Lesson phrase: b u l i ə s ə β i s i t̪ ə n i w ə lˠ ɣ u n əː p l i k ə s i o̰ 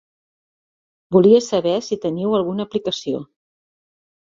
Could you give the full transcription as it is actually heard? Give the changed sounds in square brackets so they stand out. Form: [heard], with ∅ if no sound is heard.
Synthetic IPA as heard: b u l i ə s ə β [ɛ] s i t̪ ə n i w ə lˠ ɣ u n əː p l i k ə s i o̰